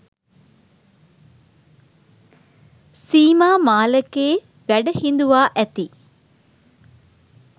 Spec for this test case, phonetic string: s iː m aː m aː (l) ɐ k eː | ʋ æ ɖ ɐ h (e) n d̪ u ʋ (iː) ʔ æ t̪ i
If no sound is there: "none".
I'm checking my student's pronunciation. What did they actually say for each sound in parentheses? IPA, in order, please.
l, i, aː

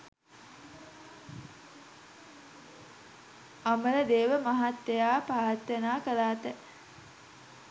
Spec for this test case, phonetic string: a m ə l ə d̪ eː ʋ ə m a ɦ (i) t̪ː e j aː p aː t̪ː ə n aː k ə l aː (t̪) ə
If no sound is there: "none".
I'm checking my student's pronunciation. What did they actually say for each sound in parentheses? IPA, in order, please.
a, t̪

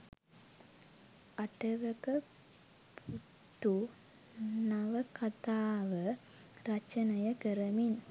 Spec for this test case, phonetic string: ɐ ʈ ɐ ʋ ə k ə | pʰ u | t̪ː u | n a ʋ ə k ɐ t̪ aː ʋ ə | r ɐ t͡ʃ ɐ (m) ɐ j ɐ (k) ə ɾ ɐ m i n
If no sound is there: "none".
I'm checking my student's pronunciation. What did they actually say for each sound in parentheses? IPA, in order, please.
n, k

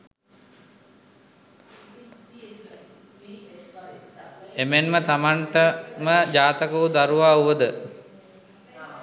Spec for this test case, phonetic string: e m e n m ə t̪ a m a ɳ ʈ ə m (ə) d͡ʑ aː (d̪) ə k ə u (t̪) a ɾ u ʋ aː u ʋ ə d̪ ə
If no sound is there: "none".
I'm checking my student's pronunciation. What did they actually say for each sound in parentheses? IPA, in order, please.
ə, t̪, d̪

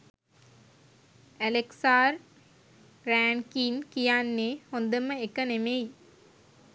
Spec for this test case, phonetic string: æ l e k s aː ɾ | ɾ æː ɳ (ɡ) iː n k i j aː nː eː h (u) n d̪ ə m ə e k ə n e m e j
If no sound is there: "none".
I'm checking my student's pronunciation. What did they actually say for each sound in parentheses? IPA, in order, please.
k, o

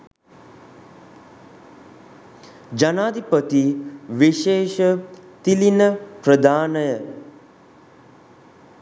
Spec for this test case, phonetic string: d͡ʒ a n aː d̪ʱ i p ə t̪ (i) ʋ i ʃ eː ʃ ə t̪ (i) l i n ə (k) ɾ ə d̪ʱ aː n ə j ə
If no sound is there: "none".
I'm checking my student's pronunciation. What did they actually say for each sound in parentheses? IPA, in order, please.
i, i, p

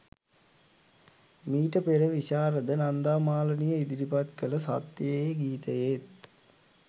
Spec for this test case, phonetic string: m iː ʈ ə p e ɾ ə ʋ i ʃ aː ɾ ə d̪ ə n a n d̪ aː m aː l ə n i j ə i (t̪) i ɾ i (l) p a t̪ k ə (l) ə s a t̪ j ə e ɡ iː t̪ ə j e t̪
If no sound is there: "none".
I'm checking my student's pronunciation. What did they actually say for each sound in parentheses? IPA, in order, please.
d̪, none, l

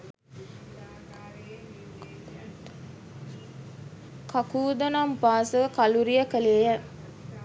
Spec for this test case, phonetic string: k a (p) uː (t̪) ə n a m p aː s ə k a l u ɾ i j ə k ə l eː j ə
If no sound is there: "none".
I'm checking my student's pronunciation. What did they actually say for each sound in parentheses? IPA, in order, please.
k, d̪

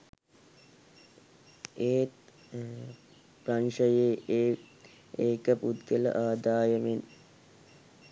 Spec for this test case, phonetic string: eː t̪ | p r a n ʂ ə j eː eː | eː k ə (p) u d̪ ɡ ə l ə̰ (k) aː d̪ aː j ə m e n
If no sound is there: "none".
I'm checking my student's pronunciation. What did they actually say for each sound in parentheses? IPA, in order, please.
p, ʔ

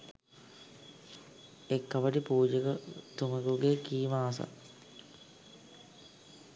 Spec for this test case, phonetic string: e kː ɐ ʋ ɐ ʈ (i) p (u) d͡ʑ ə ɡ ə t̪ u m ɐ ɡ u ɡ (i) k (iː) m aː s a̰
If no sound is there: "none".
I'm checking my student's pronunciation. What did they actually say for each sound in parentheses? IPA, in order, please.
i, uː, e, iː

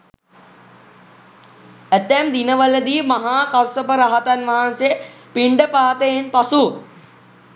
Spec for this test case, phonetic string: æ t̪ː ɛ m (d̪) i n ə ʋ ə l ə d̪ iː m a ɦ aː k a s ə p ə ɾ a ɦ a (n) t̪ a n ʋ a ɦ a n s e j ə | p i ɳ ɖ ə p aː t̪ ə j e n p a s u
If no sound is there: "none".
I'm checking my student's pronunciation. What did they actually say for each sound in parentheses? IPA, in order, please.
d̪, none

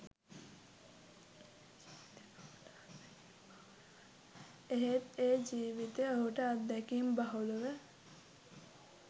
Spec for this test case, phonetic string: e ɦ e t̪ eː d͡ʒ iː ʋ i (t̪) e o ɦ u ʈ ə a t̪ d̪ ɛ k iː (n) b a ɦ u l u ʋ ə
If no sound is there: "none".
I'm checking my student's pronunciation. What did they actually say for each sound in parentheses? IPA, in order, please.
t̪, m

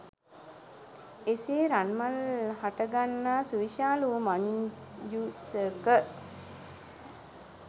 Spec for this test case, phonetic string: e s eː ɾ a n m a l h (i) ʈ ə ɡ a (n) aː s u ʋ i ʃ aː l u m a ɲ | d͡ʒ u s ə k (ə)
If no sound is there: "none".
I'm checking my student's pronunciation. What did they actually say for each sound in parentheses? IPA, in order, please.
a, nː, ə

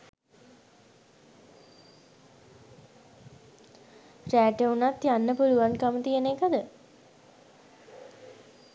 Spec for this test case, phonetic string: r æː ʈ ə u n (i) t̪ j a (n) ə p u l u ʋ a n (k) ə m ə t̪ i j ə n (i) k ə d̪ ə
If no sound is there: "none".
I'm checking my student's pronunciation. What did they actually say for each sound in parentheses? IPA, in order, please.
a, nː, k, e

